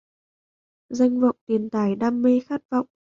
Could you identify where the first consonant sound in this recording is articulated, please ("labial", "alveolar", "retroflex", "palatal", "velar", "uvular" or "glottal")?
alveolar